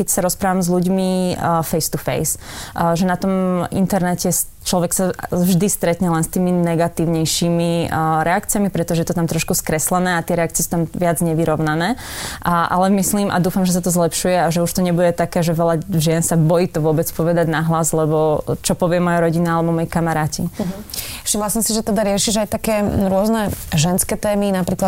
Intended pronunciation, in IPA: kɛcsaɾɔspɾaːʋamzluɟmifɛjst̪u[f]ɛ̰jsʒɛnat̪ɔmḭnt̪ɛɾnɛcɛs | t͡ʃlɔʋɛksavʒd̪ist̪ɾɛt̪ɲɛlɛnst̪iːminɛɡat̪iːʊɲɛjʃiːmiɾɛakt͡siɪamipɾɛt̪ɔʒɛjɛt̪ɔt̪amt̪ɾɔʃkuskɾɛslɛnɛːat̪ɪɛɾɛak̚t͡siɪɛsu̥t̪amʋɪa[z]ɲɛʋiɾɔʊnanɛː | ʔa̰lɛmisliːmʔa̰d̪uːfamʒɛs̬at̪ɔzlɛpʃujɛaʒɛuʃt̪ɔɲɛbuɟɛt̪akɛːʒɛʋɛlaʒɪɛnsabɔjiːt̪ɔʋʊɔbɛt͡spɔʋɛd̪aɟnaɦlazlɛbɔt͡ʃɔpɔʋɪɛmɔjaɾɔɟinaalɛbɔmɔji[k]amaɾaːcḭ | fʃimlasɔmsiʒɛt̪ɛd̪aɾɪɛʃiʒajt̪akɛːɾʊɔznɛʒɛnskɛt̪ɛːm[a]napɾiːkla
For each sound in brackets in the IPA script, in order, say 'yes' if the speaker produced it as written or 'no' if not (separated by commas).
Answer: yes, no, yes, no